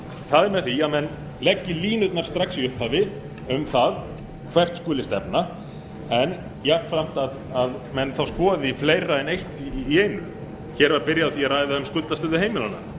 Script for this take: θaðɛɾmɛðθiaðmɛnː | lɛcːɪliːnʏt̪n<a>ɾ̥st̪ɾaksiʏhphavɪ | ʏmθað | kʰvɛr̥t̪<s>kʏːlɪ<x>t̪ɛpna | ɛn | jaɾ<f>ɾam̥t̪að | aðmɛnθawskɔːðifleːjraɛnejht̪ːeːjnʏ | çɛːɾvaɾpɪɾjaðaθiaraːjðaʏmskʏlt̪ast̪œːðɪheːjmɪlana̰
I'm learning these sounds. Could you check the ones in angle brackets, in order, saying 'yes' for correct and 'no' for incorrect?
yes, yes, no, yes

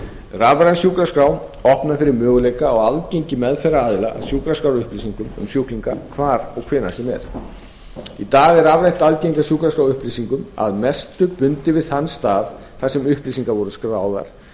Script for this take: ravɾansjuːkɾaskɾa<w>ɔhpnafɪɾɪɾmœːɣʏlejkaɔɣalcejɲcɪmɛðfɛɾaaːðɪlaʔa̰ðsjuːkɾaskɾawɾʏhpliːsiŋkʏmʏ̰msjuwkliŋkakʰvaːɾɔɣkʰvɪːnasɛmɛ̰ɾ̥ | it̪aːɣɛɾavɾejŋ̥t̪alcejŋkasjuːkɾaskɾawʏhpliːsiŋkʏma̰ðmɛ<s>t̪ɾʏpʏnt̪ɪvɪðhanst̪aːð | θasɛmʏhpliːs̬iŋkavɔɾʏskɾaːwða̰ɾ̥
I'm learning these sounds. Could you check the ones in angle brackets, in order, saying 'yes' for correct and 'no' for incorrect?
yes, yes

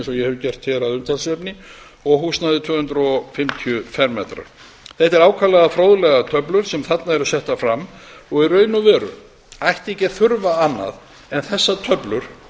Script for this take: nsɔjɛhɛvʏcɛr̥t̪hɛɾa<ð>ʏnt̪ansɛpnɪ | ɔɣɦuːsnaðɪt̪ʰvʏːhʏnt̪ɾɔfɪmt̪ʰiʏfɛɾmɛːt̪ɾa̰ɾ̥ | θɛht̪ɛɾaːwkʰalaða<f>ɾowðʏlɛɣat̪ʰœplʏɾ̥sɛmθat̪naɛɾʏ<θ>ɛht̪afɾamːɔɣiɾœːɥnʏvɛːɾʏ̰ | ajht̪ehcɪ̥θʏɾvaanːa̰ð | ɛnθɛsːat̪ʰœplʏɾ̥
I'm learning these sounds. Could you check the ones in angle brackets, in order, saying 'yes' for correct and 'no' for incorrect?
yes, yes, no

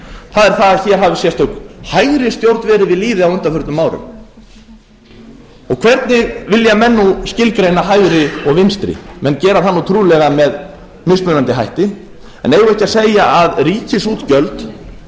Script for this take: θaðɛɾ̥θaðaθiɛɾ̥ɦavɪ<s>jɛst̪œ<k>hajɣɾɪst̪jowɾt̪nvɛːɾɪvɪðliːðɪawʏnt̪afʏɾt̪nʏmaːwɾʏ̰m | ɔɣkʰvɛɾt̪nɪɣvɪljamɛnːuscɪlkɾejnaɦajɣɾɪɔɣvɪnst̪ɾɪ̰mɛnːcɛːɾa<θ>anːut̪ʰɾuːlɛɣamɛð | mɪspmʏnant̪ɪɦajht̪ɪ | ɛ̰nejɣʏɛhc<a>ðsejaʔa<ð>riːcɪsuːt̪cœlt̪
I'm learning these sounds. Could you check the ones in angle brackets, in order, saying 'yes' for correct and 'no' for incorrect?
yes, yes, yes, yes, yes

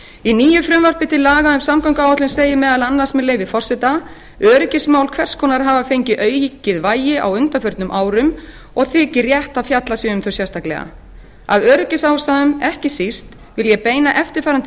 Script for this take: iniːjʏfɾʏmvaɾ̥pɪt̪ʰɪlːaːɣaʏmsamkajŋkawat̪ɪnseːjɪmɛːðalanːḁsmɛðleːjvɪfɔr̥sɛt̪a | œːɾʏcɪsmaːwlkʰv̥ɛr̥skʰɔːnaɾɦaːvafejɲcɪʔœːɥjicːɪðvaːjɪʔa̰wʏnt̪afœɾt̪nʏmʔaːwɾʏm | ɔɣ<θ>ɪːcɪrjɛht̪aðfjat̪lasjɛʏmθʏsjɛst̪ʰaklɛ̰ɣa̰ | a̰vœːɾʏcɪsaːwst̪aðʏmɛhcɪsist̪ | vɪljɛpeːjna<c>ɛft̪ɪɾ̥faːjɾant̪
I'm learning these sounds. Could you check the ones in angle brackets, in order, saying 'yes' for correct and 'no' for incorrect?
yes, no

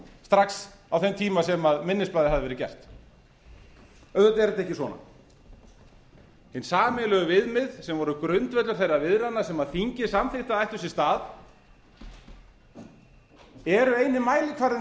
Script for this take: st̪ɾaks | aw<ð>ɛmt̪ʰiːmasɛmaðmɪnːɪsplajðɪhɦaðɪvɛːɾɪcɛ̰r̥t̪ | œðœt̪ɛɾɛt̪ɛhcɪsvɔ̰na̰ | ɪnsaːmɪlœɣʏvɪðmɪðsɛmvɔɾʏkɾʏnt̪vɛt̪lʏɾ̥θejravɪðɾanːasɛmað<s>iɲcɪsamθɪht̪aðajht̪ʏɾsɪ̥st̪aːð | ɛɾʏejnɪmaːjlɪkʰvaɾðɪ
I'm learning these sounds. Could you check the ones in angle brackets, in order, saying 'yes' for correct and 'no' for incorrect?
no, no

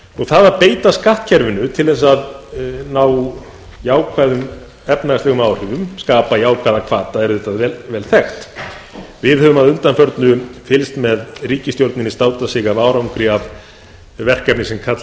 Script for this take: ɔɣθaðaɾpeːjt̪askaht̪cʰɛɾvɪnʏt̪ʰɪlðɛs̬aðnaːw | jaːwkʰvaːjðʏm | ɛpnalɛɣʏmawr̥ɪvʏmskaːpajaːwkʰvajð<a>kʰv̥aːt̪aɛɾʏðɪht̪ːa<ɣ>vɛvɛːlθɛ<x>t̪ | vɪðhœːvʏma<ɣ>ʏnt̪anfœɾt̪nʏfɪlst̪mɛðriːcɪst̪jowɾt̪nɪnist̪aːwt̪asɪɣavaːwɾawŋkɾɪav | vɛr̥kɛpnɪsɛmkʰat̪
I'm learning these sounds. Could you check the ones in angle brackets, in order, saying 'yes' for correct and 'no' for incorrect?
yes, no, yes, no

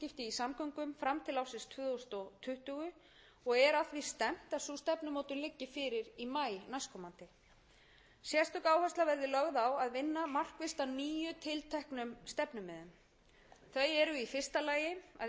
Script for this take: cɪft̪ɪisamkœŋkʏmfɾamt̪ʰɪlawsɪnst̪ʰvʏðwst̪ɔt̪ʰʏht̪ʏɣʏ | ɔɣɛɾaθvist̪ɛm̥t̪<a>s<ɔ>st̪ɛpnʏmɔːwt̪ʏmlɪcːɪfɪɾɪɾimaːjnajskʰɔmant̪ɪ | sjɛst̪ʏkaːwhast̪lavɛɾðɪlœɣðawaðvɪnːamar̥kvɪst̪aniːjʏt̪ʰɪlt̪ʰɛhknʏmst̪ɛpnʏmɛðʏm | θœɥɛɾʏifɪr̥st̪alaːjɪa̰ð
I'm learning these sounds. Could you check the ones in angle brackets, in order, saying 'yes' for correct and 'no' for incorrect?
yes, no

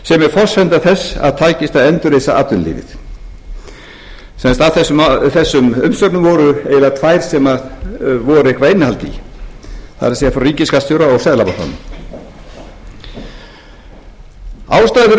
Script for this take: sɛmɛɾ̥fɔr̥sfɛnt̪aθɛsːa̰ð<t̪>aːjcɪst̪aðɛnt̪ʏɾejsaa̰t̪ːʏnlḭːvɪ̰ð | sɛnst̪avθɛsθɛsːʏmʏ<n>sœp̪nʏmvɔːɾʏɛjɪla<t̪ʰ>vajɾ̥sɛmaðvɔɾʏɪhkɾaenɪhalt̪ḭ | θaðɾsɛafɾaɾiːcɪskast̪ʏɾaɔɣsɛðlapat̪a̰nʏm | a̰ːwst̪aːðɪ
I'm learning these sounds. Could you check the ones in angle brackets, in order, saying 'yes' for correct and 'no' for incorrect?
no, no, yes

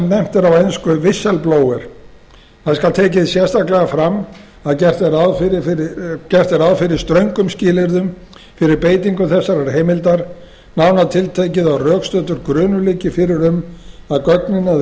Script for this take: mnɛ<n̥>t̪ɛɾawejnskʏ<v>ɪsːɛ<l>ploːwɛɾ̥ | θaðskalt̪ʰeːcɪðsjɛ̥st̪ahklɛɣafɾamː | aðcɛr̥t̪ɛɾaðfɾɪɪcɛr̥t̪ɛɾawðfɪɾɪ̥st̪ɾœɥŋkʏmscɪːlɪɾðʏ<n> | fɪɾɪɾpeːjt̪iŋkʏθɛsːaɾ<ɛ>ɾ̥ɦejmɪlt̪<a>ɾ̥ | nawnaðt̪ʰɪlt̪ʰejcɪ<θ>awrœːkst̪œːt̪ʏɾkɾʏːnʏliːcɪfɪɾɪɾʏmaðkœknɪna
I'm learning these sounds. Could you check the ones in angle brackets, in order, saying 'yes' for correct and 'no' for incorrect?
no, yes, yes, no, no, yes, no

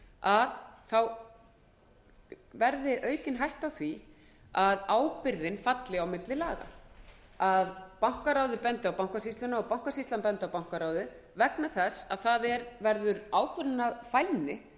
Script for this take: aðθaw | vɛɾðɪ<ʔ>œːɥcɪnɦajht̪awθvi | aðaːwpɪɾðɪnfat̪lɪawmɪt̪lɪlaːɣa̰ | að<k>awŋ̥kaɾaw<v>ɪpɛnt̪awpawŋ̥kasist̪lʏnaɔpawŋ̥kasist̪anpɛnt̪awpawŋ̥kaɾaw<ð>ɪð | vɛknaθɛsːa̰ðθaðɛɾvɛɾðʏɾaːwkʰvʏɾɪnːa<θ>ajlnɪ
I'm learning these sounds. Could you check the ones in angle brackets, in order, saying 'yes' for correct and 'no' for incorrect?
yes, no, no, yes, no

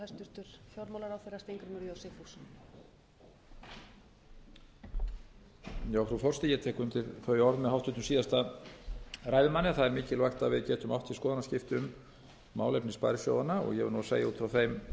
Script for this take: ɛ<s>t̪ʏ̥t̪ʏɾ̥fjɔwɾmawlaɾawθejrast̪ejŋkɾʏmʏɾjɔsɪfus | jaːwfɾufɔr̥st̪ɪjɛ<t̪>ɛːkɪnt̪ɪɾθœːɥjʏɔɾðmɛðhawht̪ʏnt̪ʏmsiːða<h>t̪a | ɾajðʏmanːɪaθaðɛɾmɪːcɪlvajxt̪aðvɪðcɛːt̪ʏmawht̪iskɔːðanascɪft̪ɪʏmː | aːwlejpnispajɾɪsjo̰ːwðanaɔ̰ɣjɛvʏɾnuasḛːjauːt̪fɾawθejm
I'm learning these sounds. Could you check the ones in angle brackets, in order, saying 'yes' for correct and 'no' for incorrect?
yes, no, no

